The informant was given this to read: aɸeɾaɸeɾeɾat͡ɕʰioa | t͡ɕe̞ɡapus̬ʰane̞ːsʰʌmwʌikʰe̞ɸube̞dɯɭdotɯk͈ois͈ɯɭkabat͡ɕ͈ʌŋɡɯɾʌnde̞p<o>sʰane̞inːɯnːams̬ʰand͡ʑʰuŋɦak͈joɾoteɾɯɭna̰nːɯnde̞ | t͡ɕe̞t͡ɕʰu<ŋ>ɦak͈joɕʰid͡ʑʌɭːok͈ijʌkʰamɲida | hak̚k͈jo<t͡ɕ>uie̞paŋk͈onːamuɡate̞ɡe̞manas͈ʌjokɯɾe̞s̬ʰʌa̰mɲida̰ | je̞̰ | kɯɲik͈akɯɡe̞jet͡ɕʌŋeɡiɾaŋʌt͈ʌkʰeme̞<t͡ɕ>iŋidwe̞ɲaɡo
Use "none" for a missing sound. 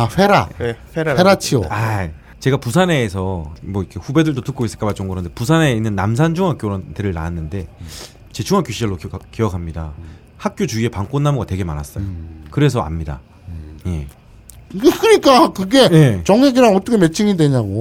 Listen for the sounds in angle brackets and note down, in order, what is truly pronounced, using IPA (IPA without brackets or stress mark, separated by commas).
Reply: u, ŋ, t͡ɕ, t͡ɕʰ